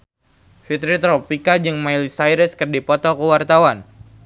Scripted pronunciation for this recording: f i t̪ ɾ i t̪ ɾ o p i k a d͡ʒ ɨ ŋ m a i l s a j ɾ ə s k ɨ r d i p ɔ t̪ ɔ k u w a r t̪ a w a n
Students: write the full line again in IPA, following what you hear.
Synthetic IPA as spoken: f i t̪ ɾ i t̪ ɾ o p i k a d͡ʒ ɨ ŋ m a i l s a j ɾ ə s k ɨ r d i p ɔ t̪ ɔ k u w a r t̪ a w a n

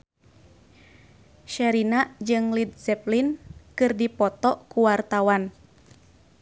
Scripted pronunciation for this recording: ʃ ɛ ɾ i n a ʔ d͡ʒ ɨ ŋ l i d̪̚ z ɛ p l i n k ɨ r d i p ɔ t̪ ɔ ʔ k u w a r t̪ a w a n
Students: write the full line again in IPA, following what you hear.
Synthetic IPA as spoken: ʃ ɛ ɾ i n a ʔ d͡ʒ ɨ ŋ l i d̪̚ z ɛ p l i n k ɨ r d i p ɔ t̪ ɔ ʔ k u w a r t̪ a w a n

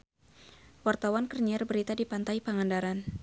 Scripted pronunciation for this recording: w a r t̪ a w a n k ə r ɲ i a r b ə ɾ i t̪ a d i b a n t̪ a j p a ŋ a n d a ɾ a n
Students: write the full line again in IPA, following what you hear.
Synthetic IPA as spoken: w a r t̪ a w a n k ə r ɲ i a r b ə ɾ i t̪ a d i p a n t̪ a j p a ŋ a n d a ɾ a n

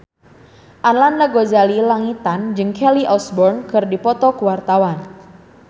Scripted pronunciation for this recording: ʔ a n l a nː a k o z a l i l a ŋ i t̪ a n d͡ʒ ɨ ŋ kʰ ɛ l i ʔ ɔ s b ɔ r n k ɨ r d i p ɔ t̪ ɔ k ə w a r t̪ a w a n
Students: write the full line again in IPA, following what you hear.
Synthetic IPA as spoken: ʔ a n l a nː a ɡ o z a l i l a ŋ i t̪ a n d͡ʒ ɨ ŋ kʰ ɛ l i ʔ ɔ s b ɔ r n k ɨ r d i p ɔ t̪ ɔ k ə w a r t̪ a w a n

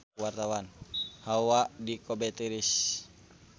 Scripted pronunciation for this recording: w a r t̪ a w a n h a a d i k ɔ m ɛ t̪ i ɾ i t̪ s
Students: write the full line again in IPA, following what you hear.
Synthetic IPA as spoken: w a r t̪ a w a n h a a d i k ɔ b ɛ t̪ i ɾ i s

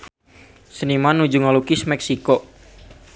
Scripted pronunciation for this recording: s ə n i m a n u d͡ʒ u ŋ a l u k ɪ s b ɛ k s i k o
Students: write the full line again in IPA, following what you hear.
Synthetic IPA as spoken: s ə n i m a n u d͡ʒ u ŋ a l u k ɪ s m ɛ k s i k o

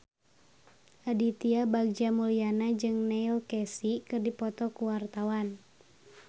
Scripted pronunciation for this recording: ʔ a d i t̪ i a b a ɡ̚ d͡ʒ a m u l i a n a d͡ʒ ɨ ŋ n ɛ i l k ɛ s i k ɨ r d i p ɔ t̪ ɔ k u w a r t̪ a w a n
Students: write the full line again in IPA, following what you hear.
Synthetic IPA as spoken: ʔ a d i t̪ i a b a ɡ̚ d͡ʒ a m u l i a n a d͡ʒ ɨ ŋ n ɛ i l k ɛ s i k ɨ r d i p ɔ t̪ ɔ k u w a r t̪ a w a n

